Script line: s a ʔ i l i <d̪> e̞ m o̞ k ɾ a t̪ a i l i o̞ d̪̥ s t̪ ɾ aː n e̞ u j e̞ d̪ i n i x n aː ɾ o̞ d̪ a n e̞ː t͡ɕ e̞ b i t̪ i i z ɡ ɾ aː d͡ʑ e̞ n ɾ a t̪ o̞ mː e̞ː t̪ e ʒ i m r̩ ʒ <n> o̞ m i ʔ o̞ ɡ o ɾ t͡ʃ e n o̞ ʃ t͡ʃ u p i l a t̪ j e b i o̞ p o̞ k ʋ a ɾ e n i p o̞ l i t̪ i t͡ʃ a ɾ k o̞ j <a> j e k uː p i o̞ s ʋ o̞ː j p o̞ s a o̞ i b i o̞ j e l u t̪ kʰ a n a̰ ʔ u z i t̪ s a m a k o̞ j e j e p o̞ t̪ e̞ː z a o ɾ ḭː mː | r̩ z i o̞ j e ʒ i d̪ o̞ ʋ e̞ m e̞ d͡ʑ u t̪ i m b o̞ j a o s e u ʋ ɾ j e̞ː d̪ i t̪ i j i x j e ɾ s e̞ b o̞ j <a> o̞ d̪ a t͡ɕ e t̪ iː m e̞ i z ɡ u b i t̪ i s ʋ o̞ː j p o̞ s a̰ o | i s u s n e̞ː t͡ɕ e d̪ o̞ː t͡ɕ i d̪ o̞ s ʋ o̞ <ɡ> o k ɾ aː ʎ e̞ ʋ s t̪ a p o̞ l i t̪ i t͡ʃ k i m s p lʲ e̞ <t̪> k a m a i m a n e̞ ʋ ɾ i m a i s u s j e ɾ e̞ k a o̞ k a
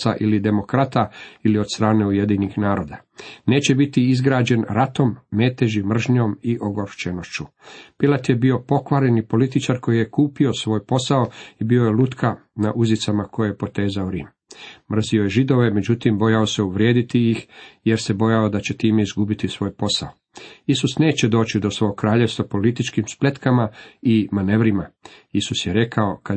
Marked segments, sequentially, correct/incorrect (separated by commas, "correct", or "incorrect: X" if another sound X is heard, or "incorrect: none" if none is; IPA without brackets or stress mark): correct, incorrect: ɲ, incorrect: i, correct, correct, correct